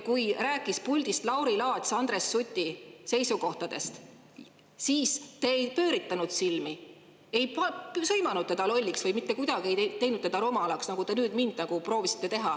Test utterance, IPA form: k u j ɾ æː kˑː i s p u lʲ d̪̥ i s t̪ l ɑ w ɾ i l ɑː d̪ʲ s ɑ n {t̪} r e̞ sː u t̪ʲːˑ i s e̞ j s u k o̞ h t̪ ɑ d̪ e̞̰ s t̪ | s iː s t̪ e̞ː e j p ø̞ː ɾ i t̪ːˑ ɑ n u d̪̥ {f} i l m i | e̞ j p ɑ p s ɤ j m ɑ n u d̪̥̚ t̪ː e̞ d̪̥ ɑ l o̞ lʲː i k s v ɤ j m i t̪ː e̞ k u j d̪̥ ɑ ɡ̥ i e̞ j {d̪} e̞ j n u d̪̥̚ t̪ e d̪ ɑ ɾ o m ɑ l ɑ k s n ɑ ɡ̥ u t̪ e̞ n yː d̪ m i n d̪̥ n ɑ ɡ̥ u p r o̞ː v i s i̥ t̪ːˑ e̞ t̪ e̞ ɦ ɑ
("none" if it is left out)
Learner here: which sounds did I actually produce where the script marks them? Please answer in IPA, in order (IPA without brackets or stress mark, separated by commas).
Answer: d̪, s, t̪